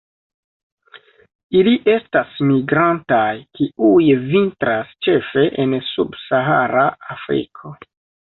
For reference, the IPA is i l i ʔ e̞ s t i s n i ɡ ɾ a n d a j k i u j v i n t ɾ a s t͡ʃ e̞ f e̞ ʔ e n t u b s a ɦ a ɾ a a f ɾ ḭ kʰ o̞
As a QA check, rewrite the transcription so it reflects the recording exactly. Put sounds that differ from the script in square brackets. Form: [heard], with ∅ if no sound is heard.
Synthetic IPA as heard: i l i ʔ e̞ s t [a] s [m] i ɡ ɾ a n [t] a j k i u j v i n t ɾ a s t͡ʃ e̞ f e̞ ʔ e n [s] u b s a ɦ a ɾ a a f ɾ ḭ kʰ o̞